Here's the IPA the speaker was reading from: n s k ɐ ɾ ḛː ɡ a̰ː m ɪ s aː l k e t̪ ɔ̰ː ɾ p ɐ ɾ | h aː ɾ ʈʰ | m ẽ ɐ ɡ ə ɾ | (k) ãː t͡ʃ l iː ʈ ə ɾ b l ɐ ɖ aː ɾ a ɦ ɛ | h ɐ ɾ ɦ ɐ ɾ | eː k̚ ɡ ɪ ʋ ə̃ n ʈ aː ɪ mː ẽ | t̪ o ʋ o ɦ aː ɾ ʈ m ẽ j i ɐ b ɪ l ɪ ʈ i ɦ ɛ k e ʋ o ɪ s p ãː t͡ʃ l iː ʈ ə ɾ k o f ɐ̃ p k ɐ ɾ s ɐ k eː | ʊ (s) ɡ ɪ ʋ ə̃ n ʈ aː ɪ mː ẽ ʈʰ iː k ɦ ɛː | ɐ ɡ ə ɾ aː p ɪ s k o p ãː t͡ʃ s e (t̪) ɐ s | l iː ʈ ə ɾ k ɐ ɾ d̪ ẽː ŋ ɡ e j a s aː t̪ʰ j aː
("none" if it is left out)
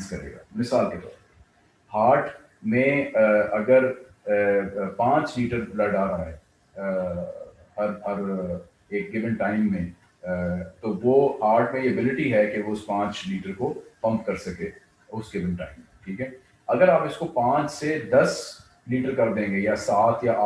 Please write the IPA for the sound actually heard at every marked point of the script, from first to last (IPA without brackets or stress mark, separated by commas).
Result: p, s, d̪